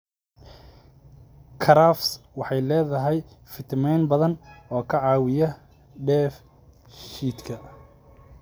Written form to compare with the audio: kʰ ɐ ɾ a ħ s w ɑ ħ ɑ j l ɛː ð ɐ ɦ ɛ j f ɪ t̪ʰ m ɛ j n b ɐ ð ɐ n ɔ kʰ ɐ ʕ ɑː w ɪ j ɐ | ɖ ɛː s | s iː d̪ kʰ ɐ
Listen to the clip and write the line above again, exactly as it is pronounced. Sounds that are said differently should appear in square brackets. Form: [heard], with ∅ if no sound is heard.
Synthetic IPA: kʰ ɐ ɾ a [f] s w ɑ ħ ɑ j l ɛː ð ɐ ɦ ɛ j f ɪ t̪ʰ m ɛ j n b ɐ ð ɐ n [ɔː] kʰ ɐ ʕ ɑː w ɪ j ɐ | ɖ ɛː [f] | [ʃ] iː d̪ kʰ ɐ